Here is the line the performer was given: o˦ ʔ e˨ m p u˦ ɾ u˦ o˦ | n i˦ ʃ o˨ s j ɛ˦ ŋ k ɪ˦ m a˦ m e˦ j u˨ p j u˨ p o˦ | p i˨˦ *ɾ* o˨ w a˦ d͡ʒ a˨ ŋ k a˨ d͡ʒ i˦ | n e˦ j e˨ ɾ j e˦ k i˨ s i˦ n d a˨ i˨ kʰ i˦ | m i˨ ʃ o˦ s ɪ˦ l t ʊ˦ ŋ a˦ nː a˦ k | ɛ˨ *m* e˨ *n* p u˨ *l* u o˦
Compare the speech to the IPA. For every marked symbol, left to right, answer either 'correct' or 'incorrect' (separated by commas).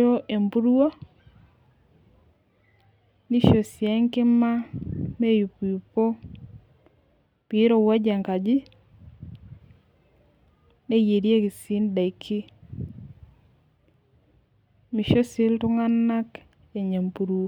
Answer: correct, incorrect, incorrect, incorrect